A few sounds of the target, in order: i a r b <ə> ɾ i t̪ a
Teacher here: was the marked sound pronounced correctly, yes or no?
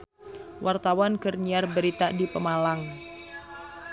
yes